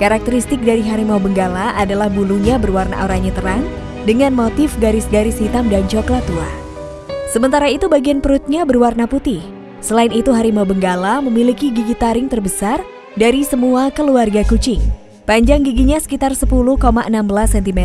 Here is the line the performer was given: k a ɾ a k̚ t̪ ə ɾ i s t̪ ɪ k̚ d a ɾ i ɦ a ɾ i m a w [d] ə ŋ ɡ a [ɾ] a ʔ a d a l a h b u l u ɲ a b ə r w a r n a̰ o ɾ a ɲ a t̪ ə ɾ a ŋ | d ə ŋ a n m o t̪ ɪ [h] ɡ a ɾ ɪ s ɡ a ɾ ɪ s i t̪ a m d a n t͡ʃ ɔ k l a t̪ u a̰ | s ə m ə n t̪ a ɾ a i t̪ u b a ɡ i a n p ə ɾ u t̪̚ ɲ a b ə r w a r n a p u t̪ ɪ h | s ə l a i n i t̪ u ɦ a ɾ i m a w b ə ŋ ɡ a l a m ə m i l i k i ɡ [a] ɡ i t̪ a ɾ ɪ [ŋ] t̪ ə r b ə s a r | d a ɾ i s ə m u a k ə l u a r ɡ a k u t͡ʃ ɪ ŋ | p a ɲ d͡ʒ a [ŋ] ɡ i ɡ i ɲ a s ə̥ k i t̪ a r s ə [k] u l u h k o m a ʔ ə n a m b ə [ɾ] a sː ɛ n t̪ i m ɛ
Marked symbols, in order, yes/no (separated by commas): no, no, no, no, yes, yes, no, no